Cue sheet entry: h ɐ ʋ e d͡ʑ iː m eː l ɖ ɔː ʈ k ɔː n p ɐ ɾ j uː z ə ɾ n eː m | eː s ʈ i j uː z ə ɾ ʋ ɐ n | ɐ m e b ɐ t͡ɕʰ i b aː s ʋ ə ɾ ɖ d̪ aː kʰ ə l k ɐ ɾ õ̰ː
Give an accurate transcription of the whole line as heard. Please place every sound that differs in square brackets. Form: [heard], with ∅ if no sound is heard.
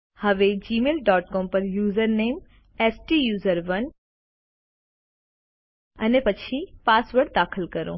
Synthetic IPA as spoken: h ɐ ʋ e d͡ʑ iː m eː l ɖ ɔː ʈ k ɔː [m] p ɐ ɾ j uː z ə ɾ n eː m | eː s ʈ i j uː z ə ɾ ʋ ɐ n | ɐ [n] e [p] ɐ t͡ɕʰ i [p] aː s ʋ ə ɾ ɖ d̪ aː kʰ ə l k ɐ ɾ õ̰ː